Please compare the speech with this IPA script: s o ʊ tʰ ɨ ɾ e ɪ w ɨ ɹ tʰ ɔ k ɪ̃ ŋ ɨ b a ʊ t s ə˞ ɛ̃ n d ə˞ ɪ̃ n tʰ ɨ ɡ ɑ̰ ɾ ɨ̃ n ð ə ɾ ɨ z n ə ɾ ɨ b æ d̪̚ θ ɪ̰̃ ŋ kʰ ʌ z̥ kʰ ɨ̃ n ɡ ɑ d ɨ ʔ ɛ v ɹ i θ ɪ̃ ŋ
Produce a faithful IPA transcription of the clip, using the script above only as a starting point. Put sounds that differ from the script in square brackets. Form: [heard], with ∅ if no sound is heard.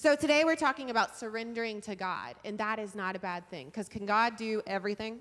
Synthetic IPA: s o ʊ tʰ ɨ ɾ e ɪ w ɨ ɹ tʰ ɔ k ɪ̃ ŋ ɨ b a ʊ t s ə˞ ɛ̃ n d ə˞ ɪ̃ [ŋ] tʰ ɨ ɡ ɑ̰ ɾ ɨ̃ n ð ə ɾ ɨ z n ə ɾ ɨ b æ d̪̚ θ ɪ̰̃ ŋ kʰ ʌ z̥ kʰ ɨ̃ n ɡ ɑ d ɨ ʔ ɛ v ɹ i θ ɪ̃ ŋ